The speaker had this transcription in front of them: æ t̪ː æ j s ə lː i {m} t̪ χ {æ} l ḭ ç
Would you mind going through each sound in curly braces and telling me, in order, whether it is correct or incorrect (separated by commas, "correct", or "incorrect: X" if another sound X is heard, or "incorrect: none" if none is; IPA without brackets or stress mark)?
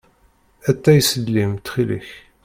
correct, incorrect: i